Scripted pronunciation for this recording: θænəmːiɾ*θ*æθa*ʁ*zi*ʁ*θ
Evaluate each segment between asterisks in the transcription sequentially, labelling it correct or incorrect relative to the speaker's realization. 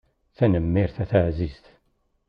correct, incorrect, incorrect

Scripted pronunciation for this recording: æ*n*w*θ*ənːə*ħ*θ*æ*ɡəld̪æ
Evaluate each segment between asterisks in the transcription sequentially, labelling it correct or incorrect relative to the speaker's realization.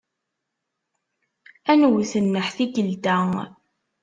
correct, correct, correct, incorrect

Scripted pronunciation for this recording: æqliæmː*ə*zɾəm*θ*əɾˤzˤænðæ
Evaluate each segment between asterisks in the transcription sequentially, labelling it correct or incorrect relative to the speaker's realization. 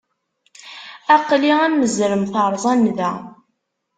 correct, correct

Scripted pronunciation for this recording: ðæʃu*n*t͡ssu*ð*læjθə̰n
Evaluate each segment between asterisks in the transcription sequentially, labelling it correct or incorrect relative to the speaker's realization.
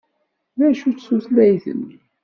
incorrect, incorrect

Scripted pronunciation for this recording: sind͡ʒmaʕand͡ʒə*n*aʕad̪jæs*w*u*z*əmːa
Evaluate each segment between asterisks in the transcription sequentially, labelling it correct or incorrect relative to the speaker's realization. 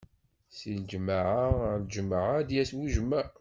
incorrect, correct, incorrect

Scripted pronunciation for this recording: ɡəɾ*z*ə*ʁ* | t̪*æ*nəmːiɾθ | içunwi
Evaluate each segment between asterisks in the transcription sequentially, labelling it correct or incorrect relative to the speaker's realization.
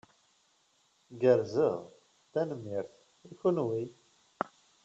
correct, correct, correct

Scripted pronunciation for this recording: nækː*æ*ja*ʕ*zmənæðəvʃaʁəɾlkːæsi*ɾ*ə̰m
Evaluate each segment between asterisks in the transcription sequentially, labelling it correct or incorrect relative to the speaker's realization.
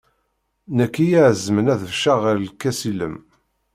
incorrect, correct, incorrect

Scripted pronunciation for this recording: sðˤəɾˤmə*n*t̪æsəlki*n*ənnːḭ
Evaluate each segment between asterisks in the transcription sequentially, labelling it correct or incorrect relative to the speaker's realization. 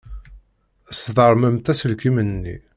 incorrect, incorrect

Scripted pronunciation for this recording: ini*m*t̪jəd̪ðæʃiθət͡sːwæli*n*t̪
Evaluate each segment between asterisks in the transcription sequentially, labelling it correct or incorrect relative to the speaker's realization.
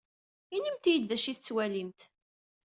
correct, incorrect

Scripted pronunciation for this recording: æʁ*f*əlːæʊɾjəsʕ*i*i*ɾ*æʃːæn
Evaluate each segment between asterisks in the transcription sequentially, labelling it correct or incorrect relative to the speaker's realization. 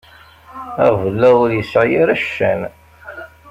incorrect, incorrect, correct

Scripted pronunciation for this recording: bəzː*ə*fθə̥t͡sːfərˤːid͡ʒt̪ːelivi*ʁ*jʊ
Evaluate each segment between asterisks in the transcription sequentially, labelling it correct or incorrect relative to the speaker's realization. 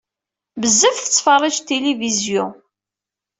correct, incorrect

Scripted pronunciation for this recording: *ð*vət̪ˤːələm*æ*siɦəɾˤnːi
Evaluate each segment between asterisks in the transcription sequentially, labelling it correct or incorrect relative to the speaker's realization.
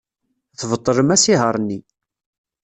incorrect, correct

